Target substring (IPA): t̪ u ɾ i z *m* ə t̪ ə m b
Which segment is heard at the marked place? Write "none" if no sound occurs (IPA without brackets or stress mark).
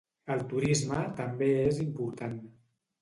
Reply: m